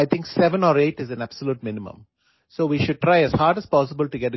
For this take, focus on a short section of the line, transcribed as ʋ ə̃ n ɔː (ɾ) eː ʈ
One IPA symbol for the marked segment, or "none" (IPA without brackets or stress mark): ɾ